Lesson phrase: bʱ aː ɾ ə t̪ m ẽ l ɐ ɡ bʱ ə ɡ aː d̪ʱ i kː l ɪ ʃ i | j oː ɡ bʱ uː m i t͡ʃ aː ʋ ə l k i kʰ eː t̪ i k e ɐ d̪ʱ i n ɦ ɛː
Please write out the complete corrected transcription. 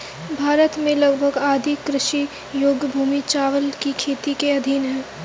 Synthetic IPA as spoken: bʱ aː ɾ ə t̪ m ẽ l ɐ ɡ bʱ ə ɡ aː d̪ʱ i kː ɾ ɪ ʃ i | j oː ɡ bʱ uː m i t͡ʃ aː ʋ ə l k i kʰ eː t̪ i k e ɐ d̪ʱ i n ɦ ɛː